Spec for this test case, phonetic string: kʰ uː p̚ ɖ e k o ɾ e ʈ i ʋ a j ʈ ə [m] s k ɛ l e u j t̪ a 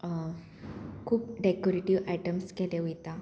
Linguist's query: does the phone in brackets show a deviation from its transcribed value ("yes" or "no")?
no